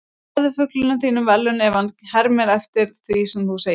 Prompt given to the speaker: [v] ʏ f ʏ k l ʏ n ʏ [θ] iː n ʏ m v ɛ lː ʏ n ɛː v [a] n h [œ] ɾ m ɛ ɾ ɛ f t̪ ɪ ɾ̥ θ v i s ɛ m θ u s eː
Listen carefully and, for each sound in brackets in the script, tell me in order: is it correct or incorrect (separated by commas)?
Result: incorrect, correct, correct, incorrect